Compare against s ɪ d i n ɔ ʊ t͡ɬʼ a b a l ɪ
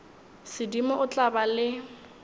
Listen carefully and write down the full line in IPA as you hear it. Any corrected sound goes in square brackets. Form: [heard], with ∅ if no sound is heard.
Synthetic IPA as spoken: s ɪ d i [m] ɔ ʊ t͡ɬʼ a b a l ɪ